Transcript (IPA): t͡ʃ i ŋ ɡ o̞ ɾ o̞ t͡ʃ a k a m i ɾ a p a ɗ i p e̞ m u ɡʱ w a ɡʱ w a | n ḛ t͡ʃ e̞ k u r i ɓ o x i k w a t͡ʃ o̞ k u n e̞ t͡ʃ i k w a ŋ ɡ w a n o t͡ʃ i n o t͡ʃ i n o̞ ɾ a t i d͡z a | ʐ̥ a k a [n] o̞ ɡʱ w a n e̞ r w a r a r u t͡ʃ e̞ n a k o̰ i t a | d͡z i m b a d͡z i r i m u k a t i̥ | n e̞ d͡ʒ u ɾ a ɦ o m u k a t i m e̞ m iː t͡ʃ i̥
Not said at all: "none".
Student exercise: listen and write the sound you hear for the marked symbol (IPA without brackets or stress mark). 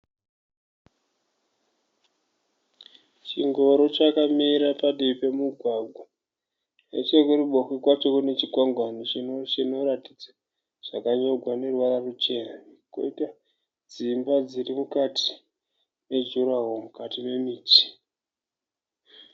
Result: ɲ